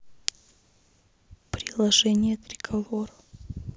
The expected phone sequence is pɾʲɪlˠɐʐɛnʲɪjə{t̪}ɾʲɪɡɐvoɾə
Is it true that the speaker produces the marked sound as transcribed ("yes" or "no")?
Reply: yes